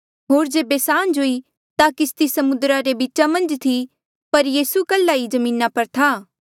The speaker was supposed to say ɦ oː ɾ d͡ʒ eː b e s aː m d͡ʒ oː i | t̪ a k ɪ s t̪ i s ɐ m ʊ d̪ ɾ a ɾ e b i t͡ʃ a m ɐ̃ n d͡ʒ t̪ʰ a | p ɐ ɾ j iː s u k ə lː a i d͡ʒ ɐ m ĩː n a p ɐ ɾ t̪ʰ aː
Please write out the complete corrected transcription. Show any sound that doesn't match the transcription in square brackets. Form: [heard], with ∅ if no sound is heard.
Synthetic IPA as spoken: ɦ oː ɾ d͡ʒ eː b e s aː [n] d͡ʒ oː i | t̪ a k ɪ s t̪ i s ɐ m ʊ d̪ ɾ a ɾ e b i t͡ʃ a m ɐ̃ n d͡ʒ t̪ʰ [i] | p ɐ ɾ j iː s u k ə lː a i d͡ʒ ɐ m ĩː n a p ɐ ɾ t̪ʰ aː